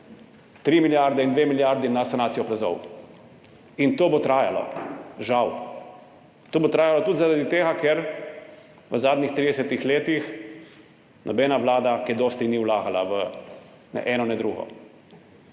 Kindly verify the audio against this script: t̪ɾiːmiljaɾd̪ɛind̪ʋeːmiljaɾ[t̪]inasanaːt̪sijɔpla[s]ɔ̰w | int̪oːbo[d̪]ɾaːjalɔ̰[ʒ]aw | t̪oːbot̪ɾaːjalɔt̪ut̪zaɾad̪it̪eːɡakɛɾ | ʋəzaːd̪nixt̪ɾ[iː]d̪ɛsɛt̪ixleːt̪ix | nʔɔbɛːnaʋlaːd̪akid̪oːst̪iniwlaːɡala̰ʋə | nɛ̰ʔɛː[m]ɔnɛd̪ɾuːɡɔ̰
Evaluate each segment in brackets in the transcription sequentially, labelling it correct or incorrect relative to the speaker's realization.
incorrect, incorrect, incorrect, correct, incorrect, incorrect

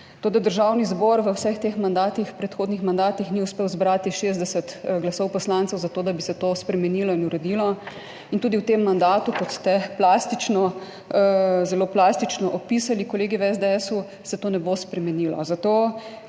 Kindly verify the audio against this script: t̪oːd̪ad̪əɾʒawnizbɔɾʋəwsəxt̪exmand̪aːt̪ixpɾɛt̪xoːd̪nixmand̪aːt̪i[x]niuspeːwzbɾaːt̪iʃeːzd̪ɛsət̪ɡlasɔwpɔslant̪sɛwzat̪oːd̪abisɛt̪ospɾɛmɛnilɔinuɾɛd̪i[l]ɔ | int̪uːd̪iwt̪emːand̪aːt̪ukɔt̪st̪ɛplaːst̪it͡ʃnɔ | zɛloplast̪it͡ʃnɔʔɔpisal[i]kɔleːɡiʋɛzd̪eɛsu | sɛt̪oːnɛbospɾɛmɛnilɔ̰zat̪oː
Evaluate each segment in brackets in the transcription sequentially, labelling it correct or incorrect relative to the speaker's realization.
correct, correct, correct

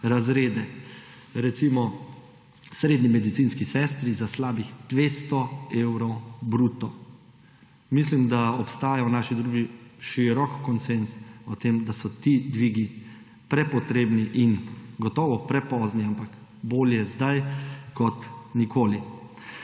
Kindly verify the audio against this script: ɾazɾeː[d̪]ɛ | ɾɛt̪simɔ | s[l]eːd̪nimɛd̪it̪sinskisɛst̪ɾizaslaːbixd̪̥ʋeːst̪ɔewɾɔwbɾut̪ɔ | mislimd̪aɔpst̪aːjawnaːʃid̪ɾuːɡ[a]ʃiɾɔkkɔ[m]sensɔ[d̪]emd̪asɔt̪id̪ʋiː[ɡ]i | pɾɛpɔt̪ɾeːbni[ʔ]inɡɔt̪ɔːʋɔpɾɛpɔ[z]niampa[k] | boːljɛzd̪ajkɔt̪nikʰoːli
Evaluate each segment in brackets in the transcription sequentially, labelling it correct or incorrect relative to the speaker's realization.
correct, incorrect, incorrect, incorrect, incorrect, correct, correct, correct, correct

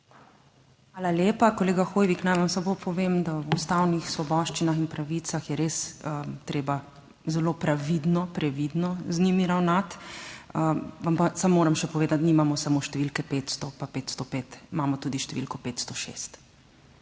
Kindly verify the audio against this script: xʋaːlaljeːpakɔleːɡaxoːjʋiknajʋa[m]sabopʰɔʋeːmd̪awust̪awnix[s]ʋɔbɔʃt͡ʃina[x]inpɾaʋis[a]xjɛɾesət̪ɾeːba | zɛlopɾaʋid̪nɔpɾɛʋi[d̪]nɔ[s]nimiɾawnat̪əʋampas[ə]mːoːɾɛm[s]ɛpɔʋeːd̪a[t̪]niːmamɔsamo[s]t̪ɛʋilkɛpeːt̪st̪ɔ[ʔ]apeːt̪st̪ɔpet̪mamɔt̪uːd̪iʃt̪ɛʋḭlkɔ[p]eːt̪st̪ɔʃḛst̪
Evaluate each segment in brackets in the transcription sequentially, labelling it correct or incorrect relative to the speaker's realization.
correct, correct, correct, correct, correct, incorrect, incorrect, incorrect, correct, incorrect, incorrect, correct

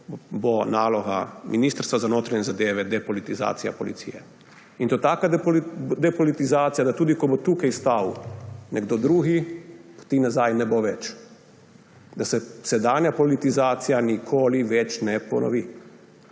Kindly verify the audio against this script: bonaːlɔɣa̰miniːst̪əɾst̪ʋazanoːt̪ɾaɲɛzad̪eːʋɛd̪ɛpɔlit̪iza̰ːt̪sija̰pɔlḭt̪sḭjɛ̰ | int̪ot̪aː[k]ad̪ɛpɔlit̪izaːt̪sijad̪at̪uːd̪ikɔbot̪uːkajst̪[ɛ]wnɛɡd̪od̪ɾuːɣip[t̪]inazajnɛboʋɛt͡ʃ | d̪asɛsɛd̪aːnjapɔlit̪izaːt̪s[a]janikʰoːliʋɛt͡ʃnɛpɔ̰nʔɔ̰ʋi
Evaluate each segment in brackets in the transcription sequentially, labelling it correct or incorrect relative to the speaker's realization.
correct, incorrect, correct, incorrect

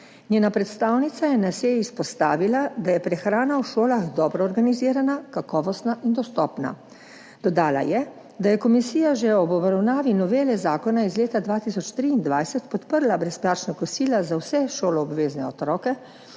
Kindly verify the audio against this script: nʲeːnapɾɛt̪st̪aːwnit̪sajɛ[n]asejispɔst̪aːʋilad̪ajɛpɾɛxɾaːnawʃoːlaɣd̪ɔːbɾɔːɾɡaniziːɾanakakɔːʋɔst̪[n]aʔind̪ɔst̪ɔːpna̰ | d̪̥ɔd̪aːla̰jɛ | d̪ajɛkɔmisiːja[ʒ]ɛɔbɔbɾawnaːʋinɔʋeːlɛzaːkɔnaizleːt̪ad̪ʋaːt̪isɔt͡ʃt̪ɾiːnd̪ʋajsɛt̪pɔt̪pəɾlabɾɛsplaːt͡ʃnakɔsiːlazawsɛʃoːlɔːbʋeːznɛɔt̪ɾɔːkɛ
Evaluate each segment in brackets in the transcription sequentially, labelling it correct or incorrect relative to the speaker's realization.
correct, correct, correct

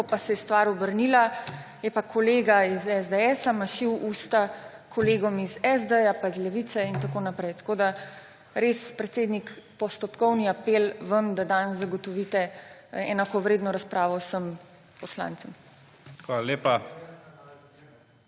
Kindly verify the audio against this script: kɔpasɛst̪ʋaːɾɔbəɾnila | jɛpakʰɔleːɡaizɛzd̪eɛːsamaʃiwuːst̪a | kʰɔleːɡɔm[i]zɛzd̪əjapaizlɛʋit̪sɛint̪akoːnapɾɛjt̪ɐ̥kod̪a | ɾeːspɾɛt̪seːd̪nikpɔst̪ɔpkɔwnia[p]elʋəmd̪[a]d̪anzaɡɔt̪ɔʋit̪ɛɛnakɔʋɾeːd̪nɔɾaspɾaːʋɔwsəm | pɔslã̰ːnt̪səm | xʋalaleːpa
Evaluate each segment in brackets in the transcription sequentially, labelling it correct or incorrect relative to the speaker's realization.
correct, correct, correct

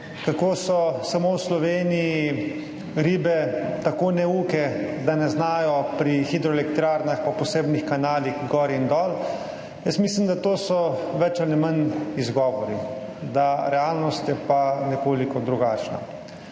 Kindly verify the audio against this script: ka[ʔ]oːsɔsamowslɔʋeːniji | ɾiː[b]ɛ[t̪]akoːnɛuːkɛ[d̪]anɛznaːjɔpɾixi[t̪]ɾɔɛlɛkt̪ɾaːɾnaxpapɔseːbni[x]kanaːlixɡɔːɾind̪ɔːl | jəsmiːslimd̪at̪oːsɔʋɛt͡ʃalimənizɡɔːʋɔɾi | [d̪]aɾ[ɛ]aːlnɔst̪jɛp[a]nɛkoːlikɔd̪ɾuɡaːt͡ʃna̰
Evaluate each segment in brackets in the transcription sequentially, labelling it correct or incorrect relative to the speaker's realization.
incorrect, correct, correct, correct, incorrect, correct, correct, correct, correct

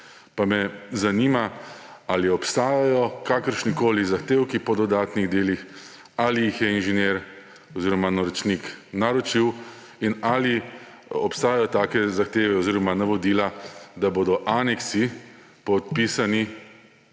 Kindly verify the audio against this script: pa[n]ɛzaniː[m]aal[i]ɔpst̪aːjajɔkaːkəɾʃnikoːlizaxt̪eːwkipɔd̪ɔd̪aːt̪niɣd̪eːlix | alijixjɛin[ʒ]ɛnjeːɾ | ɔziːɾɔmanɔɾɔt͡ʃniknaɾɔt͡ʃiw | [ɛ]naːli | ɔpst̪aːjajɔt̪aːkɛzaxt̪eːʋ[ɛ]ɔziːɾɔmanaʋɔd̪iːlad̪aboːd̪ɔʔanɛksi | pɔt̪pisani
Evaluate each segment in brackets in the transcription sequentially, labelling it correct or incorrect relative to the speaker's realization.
incorrect, correct, correct, correct, incorrect, correct

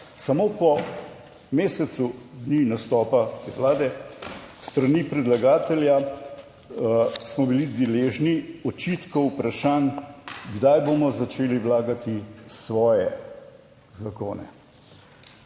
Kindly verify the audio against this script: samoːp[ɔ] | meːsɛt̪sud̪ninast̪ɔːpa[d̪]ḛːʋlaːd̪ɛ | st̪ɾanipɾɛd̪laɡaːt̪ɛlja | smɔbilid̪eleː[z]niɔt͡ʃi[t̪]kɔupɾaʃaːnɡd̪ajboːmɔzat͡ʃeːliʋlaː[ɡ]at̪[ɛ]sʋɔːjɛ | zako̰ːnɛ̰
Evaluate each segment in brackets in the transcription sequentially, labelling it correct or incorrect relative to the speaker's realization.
correct, incorrect, incorrect, correct, correct, incorrect

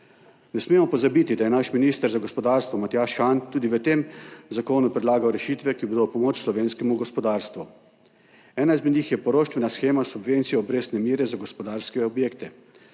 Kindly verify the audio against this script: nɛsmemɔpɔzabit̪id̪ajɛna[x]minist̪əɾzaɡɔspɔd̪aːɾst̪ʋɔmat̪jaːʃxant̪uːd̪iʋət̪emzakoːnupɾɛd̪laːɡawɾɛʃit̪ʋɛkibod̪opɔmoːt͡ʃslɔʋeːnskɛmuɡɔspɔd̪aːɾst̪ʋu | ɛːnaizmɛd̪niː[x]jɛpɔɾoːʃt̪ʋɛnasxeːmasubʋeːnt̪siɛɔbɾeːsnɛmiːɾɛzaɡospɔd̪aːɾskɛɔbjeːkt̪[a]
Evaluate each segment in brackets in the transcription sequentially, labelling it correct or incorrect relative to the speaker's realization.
incorrect, correct, incorrect

